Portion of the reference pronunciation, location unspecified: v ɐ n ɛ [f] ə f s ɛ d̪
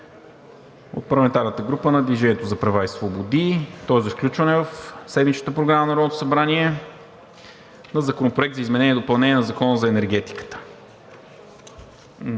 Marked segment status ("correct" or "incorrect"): incorrect